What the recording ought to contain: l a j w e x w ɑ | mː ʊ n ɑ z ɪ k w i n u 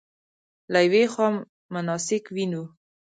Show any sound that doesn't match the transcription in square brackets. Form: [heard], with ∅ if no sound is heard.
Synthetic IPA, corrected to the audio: l a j w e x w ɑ | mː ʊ n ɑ [s] ɪ k w i n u